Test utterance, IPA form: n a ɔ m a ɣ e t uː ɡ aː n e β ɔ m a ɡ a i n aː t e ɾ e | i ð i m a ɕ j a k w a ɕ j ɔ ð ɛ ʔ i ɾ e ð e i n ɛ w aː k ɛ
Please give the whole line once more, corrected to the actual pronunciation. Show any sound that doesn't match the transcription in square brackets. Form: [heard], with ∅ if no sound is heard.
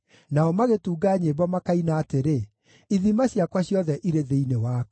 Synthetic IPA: n a ɔ m a ɣ e t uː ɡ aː [ɲ] e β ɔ m a [k] a i n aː t e ɾ e | i ð i m a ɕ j a k w a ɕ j ɔ ð ɛ ʔ i ɾ e ð e i n [e] w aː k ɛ